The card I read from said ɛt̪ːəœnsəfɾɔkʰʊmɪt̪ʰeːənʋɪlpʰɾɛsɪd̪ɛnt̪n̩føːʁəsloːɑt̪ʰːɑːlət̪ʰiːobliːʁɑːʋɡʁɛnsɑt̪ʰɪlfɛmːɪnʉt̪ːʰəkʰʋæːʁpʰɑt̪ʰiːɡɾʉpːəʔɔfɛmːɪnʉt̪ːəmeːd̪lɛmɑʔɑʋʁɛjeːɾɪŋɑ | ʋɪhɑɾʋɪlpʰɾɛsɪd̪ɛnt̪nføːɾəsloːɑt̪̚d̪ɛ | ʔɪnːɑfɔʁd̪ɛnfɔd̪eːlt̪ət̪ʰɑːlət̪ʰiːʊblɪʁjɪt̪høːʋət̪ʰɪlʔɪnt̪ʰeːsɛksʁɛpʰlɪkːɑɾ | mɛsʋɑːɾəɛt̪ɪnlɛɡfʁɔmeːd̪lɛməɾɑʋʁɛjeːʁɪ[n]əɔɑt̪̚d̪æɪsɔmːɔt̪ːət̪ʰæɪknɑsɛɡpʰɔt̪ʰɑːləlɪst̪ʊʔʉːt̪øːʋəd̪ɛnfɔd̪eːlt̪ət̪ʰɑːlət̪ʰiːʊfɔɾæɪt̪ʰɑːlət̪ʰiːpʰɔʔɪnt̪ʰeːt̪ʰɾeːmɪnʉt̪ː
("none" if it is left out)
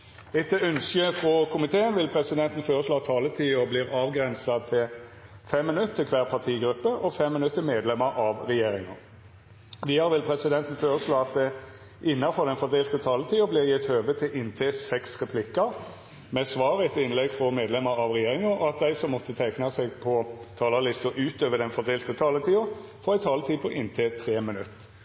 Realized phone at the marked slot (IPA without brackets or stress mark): ŋ